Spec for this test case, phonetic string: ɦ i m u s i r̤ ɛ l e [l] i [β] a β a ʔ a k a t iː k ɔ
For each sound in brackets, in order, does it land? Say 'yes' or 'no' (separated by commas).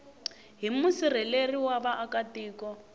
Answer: no, no